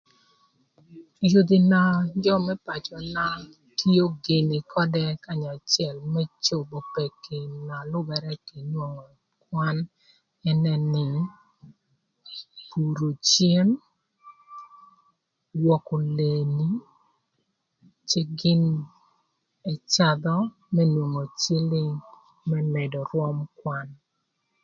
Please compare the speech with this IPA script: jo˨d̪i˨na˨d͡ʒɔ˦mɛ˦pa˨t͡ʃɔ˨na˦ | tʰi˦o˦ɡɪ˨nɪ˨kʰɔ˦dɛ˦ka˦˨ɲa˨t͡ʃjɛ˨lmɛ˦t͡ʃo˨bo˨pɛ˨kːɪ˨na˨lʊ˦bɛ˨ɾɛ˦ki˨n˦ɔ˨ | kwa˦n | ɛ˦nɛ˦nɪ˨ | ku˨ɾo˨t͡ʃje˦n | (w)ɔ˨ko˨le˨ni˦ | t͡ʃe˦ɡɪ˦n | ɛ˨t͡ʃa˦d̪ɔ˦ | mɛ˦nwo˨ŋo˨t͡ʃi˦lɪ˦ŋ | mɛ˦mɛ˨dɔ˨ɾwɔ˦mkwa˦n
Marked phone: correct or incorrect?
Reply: correct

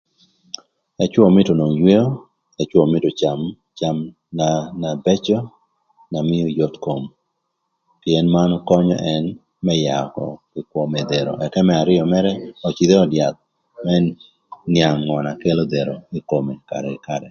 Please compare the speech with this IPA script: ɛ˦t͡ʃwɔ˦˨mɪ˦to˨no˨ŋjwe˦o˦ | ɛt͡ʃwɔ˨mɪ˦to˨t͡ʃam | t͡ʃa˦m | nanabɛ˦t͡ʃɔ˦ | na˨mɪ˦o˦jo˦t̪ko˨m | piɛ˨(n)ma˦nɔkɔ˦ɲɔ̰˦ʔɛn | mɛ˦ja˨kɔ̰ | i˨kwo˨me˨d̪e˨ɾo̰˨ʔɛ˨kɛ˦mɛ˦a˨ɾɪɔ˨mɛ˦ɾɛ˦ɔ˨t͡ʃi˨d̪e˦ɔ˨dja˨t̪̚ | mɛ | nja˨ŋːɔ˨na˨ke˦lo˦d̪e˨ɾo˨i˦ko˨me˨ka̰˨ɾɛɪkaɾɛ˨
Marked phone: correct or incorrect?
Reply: correct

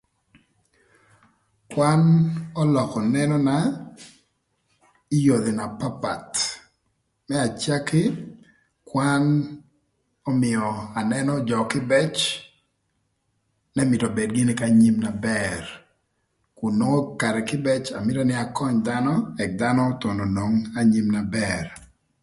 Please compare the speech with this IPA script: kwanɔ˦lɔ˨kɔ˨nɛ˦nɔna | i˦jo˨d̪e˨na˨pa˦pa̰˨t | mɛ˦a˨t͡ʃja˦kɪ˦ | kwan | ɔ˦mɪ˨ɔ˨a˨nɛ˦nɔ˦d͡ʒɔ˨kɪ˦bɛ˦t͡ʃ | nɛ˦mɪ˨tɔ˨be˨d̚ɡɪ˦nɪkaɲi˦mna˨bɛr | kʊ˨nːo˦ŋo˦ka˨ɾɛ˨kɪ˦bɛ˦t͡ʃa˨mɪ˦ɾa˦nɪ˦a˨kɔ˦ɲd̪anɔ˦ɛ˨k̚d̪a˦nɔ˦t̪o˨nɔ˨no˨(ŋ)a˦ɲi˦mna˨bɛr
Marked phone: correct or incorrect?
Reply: correct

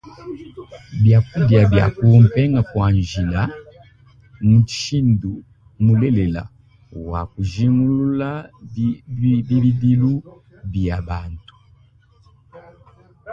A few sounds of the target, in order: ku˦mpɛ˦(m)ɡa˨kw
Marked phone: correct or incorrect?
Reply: incorrect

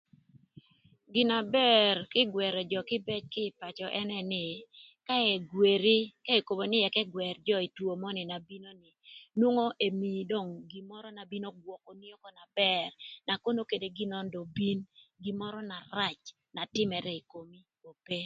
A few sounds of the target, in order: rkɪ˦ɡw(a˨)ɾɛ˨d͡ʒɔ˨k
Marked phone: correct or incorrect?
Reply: incorrect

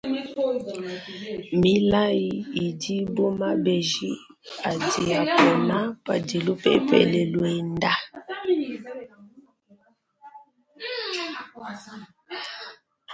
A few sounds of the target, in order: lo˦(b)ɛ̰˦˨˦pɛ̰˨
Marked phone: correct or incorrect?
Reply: incorrect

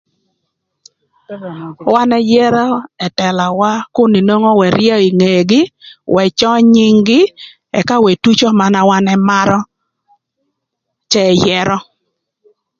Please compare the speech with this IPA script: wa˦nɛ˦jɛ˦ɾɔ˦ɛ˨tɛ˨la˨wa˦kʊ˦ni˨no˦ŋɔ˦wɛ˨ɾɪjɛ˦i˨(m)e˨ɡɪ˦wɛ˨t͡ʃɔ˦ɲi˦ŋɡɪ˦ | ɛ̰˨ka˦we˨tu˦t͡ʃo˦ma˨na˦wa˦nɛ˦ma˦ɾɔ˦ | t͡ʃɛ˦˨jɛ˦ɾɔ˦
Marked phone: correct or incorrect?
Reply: incorrect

